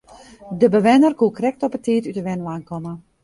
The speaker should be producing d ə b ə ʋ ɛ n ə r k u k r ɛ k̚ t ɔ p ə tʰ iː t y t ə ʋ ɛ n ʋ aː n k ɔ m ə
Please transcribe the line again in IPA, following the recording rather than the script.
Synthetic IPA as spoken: d ə b ə ʋ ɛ n ə r k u k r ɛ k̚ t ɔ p ə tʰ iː t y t ə ʋ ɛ n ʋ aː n k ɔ m ə